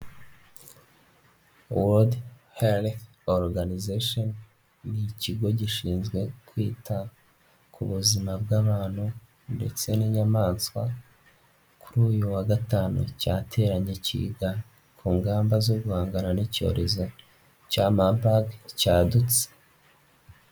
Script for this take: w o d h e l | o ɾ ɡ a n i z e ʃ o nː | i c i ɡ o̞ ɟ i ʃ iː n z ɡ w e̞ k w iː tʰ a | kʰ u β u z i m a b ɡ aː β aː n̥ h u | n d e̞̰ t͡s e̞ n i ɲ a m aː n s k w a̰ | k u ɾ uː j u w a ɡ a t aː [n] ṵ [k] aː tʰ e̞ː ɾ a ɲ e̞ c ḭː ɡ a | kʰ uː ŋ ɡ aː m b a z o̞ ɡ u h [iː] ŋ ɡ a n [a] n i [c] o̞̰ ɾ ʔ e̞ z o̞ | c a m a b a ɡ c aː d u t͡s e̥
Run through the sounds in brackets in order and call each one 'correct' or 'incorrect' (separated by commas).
correct, incorrect, incorrect, correct, correct